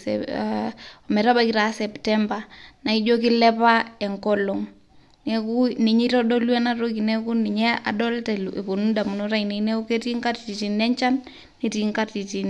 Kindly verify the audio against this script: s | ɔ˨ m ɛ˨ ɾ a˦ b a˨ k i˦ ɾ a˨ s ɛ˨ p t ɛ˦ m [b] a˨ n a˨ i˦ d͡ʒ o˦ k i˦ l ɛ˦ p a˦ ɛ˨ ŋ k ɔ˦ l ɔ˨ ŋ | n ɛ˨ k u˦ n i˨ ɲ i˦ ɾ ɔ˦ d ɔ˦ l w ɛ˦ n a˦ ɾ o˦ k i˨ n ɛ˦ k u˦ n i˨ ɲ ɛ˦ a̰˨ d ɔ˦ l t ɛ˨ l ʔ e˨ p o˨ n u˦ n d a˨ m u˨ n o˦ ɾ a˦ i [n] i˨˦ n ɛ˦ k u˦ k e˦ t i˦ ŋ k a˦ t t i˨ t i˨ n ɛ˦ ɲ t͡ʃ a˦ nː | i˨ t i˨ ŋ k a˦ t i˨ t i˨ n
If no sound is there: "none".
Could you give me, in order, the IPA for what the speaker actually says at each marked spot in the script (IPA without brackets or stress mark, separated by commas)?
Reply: b, n